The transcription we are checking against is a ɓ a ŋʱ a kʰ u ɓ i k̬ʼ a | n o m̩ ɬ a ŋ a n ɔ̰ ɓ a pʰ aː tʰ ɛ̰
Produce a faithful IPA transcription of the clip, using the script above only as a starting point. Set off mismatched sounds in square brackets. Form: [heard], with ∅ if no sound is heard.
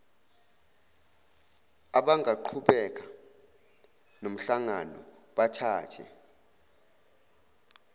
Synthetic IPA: a ɓ a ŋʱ a [ǃʰ] u ɓ [ɛ] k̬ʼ a | n o m̩ ɬ a ŋ a n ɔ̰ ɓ a [tʰ] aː tʰ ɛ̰